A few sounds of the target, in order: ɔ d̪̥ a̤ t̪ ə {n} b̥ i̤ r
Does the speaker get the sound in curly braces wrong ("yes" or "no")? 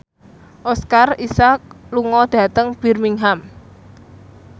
yes